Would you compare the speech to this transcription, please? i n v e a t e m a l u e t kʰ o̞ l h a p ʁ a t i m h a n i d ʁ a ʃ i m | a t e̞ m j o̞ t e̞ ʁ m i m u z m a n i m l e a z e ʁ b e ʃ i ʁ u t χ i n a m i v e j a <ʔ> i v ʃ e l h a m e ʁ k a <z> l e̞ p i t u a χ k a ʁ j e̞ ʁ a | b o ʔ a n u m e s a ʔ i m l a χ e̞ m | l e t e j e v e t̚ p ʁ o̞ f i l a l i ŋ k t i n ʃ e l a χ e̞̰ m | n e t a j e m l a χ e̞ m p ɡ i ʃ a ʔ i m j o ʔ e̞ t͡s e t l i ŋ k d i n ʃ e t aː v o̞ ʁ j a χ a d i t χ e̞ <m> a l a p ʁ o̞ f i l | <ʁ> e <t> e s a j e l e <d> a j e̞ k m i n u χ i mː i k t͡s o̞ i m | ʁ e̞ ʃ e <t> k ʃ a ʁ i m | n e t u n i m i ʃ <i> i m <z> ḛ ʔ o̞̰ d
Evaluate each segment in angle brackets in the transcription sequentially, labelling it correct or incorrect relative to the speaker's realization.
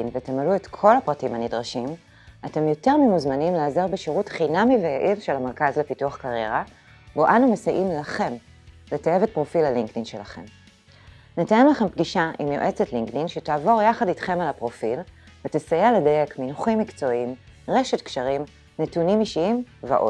correct, correct, correct, incorrect: v, correct, correct, correct, correct, incorrect: v

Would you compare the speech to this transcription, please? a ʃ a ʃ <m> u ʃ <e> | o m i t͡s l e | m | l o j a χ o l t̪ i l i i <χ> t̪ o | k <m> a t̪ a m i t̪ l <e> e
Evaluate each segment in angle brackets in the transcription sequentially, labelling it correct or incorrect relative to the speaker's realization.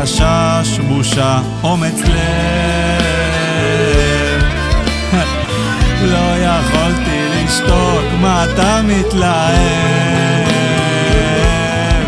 correct, incorrect: a, incorrect: ʃ, correct, incorrect: a

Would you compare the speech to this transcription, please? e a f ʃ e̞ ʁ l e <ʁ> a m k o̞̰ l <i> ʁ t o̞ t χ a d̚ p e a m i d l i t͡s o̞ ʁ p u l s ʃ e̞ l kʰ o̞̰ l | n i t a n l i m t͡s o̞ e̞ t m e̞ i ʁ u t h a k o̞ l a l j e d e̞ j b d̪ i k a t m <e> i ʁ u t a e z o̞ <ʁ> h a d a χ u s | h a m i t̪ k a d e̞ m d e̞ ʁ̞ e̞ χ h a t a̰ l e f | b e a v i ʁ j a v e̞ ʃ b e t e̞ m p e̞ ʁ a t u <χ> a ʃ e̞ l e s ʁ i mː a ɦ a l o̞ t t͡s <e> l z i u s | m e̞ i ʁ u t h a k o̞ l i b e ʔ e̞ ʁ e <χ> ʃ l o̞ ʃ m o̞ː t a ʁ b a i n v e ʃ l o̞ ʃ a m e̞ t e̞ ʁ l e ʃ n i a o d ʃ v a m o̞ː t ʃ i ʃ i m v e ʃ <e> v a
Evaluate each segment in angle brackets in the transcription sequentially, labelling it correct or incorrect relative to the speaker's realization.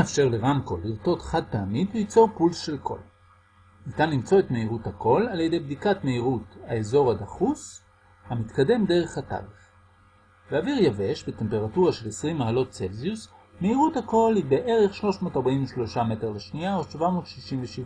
correct, correct, correct, correct, incorrect: ʁ, correct, correct, incorrect: i

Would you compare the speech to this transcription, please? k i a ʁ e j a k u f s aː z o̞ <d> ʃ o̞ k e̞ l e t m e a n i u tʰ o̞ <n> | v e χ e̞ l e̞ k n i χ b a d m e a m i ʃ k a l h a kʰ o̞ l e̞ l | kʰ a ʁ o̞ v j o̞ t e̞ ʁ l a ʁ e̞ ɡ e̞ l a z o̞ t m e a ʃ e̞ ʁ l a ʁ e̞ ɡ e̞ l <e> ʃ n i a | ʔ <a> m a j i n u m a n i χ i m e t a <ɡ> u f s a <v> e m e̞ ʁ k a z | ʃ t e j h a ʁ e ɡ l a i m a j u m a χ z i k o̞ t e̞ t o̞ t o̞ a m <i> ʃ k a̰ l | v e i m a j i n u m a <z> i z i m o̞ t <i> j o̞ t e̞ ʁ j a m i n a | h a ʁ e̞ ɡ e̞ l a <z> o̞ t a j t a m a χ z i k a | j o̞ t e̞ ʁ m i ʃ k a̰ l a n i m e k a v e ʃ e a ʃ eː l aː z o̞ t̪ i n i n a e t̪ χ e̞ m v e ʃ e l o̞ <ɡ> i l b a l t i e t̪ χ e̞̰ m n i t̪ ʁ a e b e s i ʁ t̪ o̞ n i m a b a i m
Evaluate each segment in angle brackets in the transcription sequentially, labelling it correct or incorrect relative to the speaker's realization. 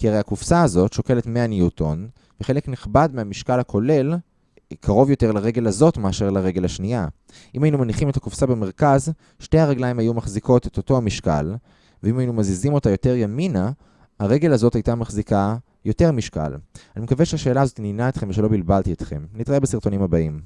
incorrect: t, correct, incorrect: a, incorrect: i, incorrect: k, incorrect: b, correct, correct, incorrect: a, correct, incorrect: b

